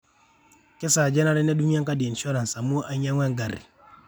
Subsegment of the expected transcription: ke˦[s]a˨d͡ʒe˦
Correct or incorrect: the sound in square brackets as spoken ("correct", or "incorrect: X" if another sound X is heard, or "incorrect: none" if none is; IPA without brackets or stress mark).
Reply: correct